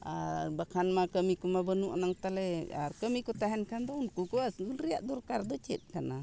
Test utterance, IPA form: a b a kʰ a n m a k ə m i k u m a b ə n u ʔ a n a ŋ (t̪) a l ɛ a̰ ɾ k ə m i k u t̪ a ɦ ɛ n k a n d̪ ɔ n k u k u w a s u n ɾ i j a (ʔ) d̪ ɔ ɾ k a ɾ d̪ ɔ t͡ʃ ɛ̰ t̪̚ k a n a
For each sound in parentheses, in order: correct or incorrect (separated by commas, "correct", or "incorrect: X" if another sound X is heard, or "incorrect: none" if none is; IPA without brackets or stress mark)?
correct, correct